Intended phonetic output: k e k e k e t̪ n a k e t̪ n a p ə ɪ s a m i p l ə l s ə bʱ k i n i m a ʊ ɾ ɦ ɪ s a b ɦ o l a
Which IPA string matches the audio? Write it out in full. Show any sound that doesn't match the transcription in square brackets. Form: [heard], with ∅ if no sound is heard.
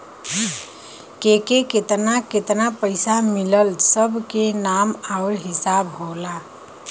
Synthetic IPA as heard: k e k e k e t̪ n a k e t̪ n a p ə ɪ s a m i [∅] l ə l s ə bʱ k [e] n [a] m a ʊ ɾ ɦ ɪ s a b ɦ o l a

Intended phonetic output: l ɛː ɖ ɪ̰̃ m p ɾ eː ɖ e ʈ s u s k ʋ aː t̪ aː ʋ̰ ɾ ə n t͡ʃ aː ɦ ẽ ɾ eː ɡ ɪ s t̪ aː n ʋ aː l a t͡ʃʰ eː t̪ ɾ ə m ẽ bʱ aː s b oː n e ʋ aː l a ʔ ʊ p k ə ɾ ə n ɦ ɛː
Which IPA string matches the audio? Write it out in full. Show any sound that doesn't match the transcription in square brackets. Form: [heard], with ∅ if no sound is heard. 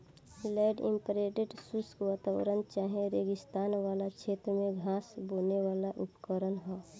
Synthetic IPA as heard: l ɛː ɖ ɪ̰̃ m p ɾ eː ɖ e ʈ s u s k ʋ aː t̪ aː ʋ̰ ɾ ə n t͡ʃ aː ɦ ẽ ɾ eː ɡ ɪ s t̪ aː n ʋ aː l a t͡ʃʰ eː t̪ ɾ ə m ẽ [ɡʱ] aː s b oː n e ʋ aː l a ʔ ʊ p k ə ɾ ə n ɦ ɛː

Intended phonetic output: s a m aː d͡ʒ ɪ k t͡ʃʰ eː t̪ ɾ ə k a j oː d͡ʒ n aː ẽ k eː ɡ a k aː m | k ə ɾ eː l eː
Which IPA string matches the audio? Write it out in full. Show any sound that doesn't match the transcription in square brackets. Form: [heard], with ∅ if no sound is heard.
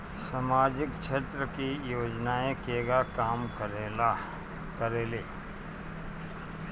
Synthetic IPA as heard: s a m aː d͡ʒ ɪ k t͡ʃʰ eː t̪ ɾ ə k [i] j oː d͡ʒ n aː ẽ k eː ɡ a k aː m | k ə ɾ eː l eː

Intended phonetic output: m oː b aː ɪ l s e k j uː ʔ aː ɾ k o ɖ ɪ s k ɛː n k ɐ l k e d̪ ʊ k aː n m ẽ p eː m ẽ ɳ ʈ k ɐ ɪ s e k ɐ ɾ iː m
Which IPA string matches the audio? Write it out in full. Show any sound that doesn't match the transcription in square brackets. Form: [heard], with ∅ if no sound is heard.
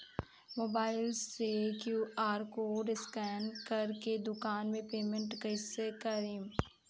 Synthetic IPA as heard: m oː b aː ɪ l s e k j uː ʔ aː ɾ k o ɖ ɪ s k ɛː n k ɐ [ɾ] k e d̪ ʊ k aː n m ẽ p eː m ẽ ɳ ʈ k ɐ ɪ s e k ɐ ɾ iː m

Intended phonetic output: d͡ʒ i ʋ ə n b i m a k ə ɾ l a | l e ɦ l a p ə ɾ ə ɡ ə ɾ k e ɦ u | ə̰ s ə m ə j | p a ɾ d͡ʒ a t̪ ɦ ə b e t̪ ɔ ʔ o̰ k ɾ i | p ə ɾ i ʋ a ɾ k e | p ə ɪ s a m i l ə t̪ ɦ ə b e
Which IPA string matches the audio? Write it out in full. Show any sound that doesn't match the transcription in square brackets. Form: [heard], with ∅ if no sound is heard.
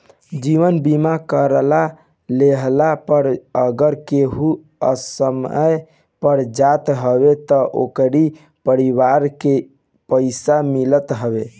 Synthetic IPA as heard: d͡ʒ i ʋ ə n b i m a k ə ɾ l a | l e ɦ l a p ə ɾ ə ɡ ə ɾ k e ɦ u | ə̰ s ə m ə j | p [ə] ɾ d͡ʒ a t̪ ɦ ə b e t̪ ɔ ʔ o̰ k ɾ i | p ə ɾ i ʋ a ɾ k e | p ə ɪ s a m i l ə t̪ ɦ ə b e

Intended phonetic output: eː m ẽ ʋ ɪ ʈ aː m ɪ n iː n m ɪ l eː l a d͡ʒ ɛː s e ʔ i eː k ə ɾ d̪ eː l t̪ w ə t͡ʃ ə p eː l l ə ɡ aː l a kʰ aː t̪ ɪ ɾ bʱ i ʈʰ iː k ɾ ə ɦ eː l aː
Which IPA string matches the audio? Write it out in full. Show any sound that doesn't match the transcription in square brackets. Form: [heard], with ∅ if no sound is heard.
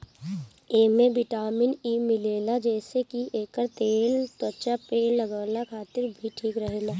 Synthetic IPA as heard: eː m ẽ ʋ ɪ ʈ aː m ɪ n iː [∅] m ɪ l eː l a d͡ʒ ɛː s e [k] i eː k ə ɾ [t̪] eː l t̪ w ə t͡ʃ [a] p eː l l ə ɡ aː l a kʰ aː t̪ ɪ ɾ bʱ i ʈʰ iː k ɾ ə ɦ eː l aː

